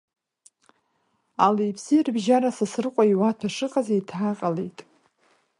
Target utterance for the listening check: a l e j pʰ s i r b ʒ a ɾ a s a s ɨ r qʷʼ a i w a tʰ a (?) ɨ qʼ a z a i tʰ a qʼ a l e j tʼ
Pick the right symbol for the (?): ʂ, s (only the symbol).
ʂ